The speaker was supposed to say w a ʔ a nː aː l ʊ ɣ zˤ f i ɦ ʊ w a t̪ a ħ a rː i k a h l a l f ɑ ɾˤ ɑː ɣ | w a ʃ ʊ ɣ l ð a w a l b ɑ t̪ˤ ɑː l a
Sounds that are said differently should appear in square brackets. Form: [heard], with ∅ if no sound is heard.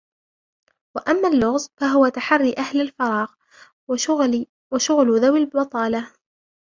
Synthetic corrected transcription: w a ʔ a [mː] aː [lː] ʊ ɣ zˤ f [a] ɦ ʊ w a t̪ a ħ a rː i [ʔ] a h l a l f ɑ ɾˤ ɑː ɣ | w a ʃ ʊ ɣ l ð a w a l b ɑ t̪ˤ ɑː l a